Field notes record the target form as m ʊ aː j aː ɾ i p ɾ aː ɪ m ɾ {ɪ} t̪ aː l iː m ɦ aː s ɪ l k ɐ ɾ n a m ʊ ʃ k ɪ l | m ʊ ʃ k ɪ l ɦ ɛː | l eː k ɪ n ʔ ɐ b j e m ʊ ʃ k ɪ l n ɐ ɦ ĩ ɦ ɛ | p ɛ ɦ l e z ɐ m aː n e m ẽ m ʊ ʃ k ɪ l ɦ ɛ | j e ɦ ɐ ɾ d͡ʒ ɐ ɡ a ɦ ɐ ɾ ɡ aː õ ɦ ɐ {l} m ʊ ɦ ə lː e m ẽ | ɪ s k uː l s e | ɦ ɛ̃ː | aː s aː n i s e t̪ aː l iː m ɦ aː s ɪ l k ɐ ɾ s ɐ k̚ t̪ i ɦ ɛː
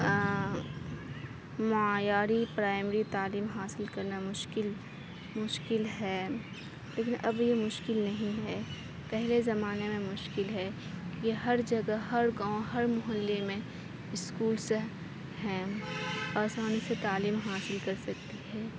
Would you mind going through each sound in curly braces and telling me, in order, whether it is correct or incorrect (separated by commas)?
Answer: incorrect, incorrect